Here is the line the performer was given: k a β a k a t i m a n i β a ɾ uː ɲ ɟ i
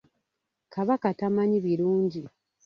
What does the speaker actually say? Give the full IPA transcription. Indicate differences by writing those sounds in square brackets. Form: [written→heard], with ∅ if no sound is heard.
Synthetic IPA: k a β a k a t [i→a] m a [n→ɲ] i β [a→i] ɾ uː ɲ ɟ i